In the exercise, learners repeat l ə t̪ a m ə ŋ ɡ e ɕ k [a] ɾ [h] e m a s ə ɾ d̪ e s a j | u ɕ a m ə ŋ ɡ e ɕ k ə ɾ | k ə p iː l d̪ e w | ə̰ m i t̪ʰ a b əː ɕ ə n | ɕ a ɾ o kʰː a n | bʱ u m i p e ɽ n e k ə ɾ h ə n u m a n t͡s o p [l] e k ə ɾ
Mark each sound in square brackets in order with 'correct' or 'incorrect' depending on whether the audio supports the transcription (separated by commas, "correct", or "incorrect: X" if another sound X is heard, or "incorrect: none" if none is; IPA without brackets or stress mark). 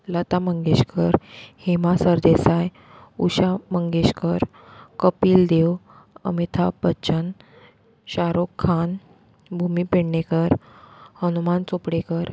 incorrect: ə, correct, incorrect: ɽ